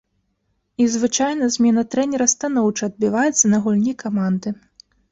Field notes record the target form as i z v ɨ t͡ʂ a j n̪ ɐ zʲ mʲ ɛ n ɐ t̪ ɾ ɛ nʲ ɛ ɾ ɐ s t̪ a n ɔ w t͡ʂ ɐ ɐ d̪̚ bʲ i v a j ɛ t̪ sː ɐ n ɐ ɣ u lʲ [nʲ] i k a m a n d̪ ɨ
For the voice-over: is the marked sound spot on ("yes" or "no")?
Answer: yes